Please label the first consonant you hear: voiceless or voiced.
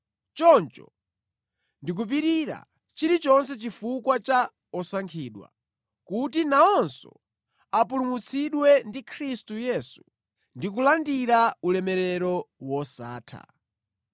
voiceless